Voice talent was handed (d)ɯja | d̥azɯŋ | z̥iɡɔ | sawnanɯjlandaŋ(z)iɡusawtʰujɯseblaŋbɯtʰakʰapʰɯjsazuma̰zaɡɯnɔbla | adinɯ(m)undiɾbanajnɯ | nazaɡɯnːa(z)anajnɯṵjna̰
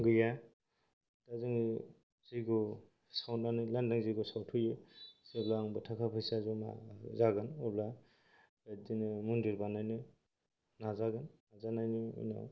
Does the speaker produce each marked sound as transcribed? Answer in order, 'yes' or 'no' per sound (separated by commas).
no, yes, yes, yes